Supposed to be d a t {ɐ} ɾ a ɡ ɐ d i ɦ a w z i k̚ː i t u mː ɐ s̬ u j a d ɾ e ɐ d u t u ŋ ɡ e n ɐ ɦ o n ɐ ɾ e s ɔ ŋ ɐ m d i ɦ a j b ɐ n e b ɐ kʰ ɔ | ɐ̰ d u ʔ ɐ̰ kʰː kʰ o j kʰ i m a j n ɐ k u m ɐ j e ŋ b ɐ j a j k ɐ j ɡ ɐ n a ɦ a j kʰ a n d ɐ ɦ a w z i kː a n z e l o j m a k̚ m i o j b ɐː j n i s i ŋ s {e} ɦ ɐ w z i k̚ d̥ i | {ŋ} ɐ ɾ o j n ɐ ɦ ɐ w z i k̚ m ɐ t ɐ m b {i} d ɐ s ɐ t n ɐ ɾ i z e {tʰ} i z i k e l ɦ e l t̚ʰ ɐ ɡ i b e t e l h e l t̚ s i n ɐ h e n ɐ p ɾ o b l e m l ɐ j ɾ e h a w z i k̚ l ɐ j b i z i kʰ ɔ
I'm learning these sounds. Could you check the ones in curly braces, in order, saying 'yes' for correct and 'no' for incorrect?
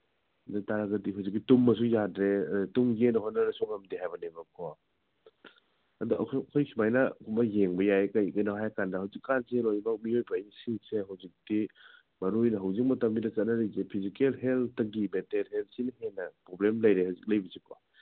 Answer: no, yes, no, yes, no

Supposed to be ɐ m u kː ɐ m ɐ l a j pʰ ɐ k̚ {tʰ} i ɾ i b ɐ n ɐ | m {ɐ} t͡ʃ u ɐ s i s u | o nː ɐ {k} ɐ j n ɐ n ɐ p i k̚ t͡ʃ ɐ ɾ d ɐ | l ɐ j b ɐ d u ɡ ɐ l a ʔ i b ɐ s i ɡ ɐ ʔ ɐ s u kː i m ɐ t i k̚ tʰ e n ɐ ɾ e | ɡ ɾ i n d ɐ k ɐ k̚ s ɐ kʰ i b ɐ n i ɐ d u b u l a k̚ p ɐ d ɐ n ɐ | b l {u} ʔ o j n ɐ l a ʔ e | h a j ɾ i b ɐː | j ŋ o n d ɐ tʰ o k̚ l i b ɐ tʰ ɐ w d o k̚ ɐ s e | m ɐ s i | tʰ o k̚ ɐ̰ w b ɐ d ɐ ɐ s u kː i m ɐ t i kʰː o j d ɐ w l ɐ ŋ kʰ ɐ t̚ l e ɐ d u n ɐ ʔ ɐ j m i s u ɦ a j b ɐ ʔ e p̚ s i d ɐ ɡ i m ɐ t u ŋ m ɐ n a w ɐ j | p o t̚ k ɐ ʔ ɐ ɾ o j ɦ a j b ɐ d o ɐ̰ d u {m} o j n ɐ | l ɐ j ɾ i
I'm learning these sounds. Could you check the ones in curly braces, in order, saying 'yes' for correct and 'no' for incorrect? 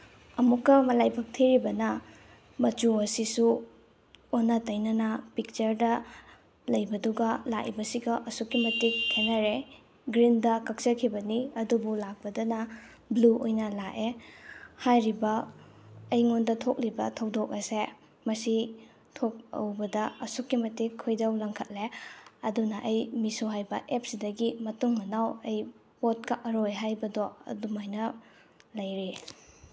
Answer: yes, yes, no, yes, yes

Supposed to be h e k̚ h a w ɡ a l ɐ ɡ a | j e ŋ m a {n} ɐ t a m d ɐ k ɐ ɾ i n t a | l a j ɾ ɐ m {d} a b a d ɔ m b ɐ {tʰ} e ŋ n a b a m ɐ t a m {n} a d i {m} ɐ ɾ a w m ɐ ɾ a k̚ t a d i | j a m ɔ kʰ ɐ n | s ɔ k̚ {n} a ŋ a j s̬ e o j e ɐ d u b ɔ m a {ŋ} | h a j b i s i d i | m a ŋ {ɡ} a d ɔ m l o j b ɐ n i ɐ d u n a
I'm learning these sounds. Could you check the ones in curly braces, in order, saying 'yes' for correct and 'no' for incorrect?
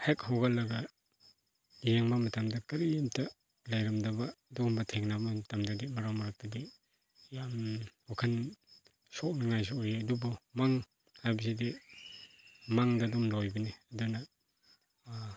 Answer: no, yes, yes, no, yes, yes, yes, no

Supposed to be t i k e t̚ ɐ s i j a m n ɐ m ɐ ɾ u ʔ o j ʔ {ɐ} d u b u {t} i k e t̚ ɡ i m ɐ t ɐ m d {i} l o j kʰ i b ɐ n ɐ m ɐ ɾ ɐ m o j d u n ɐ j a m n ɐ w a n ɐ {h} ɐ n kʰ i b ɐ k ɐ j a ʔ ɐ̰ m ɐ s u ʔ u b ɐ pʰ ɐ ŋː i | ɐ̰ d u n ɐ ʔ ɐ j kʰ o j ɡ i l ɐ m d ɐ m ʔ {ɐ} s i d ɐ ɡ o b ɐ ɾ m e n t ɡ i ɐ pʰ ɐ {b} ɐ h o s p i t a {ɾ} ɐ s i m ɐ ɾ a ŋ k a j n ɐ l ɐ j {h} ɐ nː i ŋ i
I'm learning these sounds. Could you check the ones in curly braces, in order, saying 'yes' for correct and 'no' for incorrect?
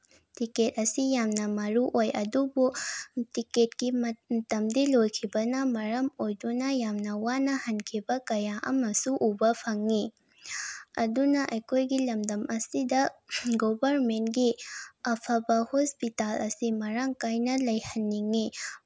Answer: yes, yes, yes, yes, yes, yes, no, yes

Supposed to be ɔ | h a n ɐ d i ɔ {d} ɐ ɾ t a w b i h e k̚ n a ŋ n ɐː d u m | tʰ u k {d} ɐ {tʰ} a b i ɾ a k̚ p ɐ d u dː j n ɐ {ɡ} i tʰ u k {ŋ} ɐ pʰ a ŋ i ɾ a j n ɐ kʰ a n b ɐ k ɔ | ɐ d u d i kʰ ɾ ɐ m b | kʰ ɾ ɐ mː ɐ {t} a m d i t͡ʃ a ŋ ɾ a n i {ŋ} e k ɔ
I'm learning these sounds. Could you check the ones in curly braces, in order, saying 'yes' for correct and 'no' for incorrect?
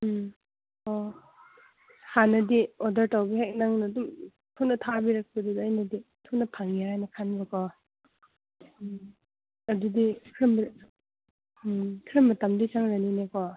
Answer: yes, no, yes, no, no, yes, no

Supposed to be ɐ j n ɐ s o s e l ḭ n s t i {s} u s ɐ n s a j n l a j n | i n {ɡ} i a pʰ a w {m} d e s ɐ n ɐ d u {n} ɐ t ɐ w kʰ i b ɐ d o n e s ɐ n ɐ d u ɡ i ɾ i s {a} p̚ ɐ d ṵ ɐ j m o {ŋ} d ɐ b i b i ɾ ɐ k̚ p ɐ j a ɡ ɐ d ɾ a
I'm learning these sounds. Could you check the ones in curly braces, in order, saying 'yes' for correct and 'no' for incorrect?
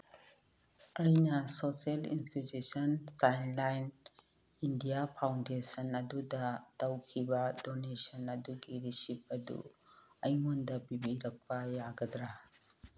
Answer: no, no, no, no, no, no

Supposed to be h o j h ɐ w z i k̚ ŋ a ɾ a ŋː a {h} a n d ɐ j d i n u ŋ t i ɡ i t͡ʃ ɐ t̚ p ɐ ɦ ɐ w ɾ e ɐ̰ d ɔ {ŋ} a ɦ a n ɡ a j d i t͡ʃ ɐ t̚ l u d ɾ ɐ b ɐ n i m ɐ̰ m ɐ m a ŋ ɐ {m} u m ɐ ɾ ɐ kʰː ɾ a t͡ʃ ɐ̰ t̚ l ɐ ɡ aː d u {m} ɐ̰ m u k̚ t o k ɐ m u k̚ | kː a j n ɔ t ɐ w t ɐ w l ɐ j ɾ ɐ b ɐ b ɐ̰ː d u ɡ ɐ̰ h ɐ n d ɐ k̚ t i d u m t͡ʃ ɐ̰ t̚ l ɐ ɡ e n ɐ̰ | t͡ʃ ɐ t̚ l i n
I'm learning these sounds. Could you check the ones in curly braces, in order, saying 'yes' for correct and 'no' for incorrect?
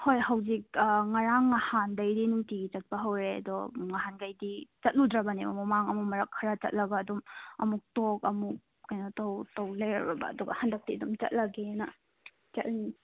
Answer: yes, yes, yes, yes

